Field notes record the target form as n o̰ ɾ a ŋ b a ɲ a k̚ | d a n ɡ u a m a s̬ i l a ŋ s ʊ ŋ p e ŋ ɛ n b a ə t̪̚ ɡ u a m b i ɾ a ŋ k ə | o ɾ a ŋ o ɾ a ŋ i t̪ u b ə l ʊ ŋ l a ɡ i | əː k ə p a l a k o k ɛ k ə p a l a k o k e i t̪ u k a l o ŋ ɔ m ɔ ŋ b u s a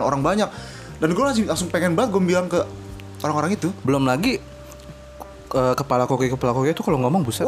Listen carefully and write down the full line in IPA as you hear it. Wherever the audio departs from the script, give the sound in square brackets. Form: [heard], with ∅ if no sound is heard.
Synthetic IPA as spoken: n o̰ ɾ a ŋ b a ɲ a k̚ | d a n ɡ u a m a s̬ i l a ŋ s ʊ ŋ p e ŋ ɛ n b a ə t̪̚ ɡ u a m b i [l] a ŋ k ə | o ɾ a ŋ o ɾ a ŋ i t̪ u b ə l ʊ [m] l a ɡ i | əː k ə p a l a k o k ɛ k ə p a l a k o k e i t̪ u k a l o ŋ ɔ m ɔ ŋ b u s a